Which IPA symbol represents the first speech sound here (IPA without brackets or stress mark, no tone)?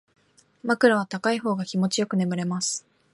m